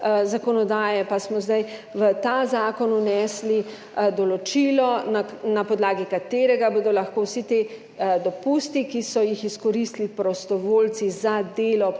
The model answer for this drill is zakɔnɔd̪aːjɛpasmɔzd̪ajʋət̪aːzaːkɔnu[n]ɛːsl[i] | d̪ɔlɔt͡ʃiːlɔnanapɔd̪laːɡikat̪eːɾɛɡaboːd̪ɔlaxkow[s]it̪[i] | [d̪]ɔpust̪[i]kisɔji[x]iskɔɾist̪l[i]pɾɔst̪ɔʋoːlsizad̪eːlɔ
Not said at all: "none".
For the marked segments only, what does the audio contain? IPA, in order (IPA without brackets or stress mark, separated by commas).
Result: n, i, s, e, d̪, i, x, i